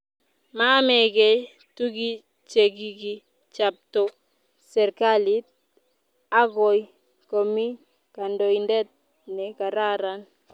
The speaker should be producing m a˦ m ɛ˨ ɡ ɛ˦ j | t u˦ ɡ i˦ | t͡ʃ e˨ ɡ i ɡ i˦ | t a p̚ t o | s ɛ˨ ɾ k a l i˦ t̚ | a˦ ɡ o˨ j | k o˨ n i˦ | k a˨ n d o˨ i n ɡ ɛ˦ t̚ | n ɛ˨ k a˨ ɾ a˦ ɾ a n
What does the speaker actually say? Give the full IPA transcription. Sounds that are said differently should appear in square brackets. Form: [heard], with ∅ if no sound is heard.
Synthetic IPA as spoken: m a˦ m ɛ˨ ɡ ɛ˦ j | t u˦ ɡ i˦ | t͡ʃ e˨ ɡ i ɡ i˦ | [t͡ʃ] a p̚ t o | s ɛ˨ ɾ k a l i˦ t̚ | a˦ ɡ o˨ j | k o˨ [m] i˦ | k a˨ n d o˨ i n [d] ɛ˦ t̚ | n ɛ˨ k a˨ ɾ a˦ ɾ a n